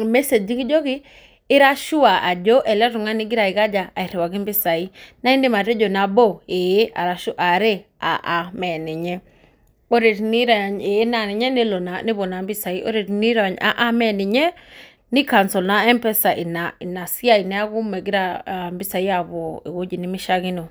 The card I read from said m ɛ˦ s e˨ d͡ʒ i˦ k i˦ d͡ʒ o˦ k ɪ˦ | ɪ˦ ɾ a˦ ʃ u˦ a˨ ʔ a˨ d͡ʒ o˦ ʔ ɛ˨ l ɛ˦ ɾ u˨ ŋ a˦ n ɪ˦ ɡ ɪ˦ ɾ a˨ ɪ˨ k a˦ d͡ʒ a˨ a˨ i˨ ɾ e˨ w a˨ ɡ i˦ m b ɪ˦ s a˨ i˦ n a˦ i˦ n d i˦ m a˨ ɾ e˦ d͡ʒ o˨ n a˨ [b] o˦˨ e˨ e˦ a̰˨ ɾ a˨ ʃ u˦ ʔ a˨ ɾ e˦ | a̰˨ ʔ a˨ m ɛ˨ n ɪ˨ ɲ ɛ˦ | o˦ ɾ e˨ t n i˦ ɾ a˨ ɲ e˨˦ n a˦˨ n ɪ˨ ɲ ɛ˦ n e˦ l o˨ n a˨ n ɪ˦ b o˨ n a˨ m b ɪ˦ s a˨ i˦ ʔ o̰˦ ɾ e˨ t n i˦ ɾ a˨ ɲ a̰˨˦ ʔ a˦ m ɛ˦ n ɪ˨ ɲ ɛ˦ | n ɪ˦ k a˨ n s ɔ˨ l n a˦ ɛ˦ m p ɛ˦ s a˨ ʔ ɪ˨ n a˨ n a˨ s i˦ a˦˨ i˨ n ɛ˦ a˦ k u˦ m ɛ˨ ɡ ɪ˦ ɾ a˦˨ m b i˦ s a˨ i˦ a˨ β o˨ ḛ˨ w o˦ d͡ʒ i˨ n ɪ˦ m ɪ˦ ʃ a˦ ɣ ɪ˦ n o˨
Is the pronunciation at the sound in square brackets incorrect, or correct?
correct